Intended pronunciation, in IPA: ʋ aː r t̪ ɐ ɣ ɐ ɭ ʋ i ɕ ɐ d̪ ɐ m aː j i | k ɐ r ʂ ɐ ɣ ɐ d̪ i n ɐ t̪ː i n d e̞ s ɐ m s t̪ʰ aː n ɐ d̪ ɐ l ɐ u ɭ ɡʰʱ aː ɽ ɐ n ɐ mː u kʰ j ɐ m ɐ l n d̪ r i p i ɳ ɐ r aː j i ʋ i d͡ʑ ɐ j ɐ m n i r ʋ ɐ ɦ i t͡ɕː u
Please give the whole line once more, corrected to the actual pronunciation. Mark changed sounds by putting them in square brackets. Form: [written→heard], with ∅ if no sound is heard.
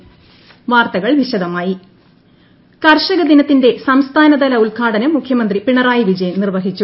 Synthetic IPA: ʋ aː r t̪ ɐ ɣ ɐ ɭ ʋ i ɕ ɐ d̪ ɐ m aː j i | k ɐ r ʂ ɐ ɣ ɐ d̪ i n ɐ t̪ː i n d e̞ s ɐ m s t̪ʰ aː n ɐ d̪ ɐ l ɐ u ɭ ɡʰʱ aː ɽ ɐ n ɐ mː u kʰ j ɐ m ɐ [l→∅] n d̪ r i p i ɳ ɐ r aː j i ʋ i d͡ʑ ɐ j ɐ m n i r ʋ ɐ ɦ i t͡ɕː u